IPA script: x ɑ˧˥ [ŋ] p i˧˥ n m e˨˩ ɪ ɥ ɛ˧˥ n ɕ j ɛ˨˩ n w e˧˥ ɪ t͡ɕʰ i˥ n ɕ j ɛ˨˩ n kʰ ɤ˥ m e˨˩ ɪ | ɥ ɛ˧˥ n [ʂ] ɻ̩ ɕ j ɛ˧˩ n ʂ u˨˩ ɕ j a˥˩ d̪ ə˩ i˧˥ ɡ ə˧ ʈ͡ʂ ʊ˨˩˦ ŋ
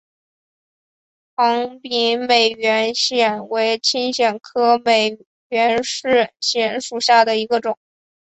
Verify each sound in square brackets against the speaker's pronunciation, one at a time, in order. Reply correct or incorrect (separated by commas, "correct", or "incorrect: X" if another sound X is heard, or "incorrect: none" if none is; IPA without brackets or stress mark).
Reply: correct, correct